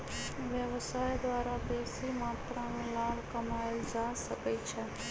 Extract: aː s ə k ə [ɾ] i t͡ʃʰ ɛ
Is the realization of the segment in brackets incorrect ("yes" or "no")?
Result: yes